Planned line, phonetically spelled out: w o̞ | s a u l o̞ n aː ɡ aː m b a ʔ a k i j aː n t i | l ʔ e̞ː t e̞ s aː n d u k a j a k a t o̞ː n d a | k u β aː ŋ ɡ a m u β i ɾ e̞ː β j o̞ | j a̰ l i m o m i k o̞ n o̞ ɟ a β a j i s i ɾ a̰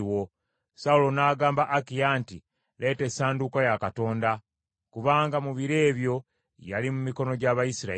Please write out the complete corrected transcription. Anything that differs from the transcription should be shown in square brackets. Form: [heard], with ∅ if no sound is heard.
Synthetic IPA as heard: w o̞ | s a u l o̞ n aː ɡ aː m b a ʔ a k i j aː n t i | l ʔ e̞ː t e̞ s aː n d u k a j a k a t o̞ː n d a | k u β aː ŋ ɡ a m u β i ɾ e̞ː β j o̞ | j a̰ l i m [u] m i k o̞ n o̞ ɟ a β a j i s i ɾ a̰